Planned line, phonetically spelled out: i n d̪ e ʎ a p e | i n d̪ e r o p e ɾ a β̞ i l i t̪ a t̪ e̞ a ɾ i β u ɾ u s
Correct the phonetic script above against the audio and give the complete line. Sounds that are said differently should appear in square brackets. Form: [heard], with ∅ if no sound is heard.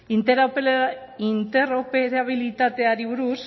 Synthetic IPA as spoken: i n [t̪] e [ɾ] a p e | i n [t̪] e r o p e ɾ a β̞ i l i t̪ a t̪ e̞ a ɾ i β u ɾ u s